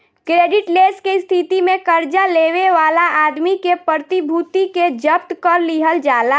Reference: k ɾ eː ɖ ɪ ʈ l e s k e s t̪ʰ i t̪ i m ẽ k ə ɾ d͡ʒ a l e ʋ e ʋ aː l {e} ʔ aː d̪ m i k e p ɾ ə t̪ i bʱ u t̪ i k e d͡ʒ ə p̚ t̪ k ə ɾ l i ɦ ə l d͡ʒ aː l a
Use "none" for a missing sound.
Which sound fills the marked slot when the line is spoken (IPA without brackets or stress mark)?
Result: a